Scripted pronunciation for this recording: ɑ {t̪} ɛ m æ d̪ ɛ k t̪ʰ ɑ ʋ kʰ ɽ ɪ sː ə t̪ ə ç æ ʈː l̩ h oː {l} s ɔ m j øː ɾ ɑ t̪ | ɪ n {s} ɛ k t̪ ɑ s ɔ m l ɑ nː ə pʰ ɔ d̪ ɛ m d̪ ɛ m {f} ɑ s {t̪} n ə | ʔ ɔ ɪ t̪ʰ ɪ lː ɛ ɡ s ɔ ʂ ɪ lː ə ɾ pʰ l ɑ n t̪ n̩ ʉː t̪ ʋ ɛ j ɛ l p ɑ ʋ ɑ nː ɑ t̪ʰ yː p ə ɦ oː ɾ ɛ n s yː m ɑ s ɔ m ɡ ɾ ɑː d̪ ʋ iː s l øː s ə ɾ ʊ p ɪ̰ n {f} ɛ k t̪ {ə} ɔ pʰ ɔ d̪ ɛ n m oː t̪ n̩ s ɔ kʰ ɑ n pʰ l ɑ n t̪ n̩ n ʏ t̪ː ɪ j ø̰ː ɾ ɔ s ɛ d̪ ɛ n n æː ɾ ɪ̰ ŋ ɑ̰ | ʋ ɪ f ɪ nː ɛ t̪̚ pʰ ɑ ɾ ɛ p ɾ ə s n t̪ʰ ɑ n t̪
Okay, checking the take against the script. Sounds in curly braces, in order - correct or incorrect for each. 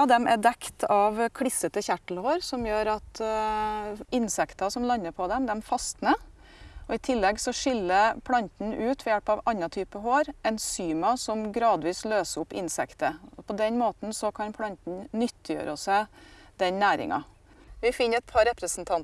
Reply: incorrect, incorrect, correct, correct, correct, incorrect, correct

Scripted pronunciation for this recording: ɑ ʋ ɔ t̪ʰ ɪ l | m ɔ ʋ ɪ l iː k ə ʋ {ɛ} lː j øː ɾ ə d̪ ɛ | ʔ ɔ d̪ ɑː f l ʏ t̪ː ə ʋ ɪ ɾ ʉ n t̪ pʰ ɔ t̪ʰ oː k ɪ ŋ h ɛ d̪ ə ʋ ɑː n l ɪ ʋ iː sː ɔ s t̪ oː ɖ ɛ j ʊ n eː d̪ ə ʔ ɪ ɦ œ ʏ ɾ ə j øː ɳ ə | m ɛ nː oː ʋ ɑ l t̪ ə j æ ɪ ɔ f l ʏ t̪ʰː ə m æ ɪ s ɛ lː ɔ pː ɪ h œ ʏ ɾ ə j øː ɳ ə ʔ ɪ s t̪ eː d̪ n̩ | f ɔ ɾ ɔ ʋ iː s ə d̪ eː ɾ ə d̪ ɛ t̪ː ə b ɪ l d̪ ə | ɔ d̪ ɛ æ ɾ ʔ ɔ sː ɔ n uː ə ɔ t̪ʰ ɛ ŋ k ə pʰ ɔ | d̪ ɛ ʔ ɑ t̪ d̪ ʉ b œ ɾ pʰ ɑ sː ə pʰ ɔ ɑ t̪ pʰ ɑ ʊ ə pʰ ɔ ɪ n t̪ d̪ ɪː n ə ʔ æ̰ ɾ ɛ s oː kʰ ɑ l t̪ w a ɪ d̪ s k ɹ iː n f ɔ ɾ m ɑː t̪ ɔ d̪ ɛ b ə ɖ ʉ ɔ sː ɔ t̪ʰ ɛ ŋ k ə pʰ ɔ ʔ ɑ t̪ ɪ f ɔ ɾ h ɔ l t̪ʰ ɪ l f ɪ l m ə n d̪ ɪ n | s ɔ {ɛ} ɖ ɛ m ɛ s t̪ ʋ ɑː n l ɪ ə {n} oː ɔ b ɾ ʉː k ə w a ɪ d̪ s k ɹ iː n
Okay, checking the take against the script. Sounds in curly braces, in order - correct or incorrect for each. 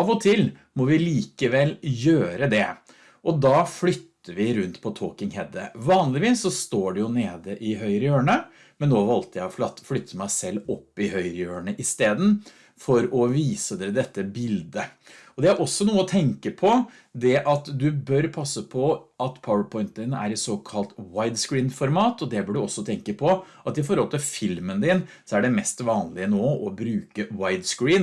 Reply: correct, incorrect, correct

